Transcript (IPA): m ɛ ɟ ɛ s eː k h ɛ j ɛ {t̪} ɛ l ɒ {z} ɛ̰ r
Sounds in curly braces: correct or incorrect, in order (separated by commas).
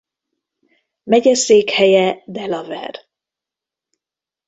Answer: incorrect, incorrect